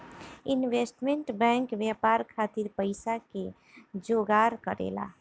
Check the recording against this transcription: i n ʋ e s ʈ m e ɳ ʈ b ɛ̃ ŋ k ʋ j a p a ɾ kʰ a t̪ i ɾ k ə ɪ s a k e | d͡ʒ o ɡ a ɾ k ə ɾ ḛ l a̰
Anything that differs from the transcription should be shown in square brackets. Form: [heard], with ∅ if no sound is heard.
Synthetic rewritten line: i n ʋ e s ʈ m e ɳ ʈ b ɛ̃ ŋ k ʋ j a p a ɾ kʰ a t̪ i ɾ [p] ə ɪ s a k e | d͡ʒ o ɡ a ɾ k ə ɾ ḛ l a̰